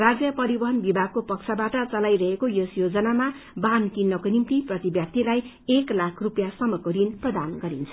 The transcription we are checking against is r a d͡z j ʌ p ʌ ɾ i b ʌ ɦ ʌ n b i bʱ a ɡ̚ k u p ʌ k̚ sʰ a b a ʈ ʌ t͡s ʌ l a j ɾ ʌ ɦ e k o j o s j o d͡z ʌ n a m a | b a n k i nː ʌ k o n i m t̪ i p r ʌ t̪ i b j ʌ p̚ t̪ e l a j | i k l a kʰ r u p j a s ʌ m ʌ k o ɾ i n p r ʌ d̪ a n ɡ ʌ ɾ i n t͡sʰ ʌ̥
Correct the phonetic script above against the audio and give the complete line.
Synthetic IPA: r a d͡z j ʌ p ʌ ɾ i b ʌ ɦ ʌ n b i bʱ a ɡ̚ k o p ʌ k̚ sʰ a b a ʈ ʌ t͡s ʌ l a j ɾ ʌ ɦ e k o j o s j o d͡z ʌ n a m a | b a n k i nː ʌ k o n i m t̪ i p r ʌ t̪ i b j ʌ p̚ t̪ i l a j | e k l a kʰ r u p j a s ʌ m ʌ k o ɾ i n p r ʌ d̪ a n ɡ ʌ ɾ i n t͡sʰ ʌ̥